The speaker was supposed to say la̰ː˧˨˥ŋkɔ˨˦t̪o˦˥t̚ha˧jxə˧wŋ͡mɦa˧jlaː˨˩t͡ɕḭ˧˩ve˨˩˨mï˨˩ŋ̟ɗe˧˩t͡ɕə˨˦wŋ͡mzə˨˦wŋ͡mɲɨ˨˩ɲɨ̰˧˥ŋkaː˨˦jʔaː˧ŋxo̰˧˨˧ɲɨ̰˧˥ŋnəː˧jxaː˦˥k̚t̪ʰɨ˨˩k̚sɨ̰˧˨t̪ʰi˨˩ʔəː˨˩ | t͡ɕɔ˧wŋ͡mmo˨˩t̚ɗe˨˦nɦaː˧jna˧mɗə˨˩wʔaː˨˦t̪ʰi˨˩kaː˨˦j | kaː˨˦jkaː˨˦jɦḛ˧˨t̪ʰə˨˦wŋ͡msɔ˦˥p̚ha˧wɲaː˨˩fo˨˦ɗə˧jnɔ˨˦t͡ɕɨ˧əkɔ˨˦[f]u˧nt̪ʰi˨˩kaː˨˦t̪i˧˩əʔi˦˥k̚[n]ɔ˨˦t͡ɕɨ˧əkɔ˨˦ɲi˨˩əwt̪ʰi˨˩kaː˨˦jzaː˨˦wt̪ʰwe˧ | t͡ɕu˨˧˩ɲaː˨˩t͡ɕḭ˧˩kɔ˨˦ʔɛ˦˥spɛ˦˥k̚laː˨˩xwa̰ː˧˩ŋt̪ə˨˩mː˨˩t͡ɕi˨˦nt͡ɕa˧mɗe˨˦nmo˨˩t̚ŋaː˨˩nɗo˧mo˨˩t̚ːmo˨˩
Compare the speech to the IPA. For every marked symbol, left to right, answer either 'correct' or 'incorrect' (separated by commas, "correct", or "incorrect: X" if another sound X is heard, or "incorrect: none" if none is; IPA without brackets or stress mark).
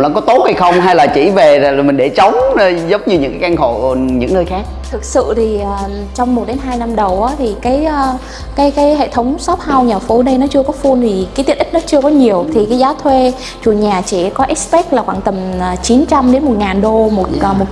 correct, correct